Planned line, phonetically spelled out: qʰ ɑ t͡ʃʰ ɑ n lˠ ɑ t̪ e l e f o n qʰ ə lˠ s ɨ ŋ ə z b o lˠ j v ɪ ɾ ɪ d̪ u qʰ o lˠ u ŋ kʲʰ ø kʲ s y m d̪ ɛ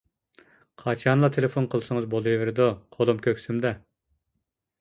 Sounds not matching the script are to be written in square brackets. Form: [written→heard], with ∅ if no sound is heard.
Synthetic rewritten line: qʰ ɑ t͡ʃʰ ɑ n lˠ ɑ [t̪→t̪ʰ] e l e f o n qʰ ə lˠ s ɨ ŋ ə z b o lˠ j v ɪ ɾ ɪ d̪ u qʰ o lˠ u [ŋ→m] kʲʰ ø kʲ s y m d̪ ɛ